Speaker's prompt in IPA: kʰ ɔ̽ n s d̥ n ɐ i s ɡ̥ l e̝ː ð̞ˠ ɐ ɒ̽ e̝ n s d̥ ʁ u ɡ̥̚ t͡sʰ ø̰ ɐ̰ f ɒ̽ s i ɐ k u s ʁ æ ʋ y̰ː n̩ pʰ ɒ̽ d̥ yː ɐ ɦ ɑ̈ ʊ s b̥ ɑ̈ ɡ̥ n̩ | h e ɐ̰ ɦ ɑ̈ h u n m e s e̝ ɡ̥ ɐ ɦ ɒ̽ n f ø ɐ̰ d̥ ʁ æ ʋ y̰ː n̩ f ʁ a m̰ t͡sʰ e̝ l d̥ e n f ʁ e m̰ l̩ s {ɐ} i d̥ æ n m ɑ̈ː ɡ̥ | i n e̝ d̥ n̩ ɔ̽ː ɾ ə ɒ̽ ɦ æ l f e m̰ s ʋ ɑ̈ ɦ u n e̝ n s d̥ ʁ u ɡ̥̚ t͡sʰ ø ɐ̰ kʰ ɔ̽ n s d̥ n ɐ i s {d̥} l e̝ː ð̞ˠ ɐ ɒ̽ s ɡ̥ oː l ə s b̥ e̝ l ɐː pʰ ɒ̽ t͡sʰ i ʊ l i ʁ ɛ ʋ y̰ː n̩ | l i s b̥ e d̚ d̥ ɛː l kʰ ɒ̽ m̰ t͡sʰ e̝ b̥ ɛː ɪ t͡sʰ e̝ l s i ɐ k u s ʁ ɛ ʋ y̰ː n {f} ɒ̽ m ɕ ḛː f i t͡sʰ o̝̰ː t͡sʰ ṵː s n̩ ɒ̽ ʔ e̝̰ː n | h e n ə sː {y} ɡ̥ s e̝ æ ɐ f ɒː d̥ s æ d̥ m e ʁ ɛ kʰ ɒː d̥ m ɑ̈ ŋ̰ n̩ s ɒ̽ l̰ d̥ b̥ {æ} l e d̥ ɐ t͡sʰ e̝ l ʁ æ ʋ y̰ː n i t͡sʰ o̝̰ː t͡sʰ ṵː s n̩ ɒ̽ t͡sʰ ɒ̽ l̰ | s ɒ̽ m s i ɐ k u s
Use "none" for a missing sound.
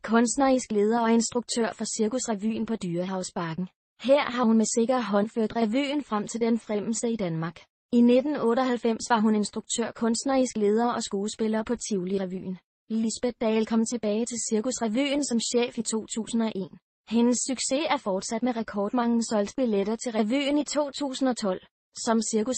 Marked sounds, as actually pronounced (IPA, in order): ə, ɡ̥, s, y, i

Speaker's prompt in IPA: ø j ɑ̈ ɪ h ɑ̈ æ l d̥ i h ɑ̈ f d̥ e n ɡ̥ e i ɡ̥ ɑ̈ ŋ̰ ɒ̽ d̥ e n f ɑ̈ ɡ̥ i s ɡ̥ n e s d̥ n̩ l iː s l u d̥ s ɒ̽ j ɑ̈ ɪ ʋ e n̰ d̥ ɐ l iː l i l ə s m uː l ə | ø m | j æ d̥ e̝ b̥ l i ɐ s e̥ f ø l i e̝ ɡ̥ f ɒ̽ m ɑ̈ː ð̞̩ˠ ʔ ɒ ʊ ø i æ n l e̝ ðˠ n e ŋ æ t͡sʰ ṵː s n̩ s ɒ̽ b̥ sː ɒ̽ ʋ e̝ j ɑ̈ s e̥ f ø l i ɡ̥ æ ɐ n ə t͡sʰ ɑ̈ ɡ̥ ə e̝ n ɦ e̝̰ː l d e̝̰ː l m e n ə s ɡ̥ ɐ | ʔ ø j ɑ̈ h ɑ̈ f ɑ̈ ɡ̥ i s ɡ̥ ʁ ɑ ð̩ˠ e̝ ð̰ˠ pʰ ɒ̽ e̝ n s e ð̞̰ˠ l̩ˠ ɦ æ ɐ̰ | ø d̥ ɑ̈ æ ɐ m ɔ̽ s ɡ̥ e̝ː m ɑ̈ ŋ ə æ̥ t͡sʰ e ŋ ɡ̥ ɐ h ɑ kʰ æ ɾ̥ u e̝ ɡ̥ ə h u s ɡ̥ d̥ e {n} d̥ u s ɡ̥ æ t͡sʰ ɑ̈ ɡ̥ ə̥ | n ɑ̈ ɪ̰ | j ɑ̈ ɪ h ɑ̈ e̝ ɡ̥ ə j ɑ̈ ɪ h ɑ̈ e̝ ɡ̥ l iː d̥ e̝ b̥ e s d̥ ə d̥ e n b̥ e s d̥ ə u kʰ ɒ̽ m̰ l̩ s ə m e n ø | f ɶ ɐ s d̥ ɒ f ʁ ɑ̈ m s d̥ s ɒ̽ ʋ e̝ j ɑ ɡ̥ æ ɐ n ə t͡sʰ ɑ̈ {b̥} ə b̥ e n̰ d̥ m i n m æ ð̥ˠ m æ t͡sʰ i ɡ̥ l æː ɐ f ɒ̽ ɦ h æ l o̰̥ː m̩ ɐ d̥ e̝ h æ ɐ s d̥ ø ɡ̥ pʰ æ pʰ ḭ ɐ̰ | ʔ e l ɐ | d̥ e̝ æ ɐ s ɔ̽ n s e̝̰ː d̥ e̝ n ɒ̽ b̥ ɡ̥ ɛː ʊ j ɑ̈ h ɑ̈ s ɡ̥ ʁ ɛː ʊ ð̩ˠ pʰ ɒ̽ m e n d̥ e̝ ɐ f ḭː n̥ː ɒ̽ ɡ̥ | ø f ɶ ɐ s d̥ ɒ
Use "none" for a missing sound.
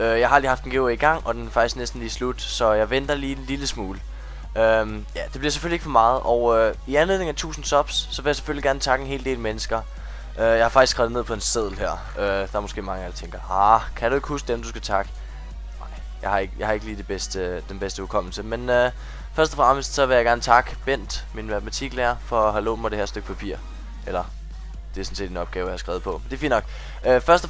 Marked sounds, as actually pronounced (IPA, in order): m, ɡ̥

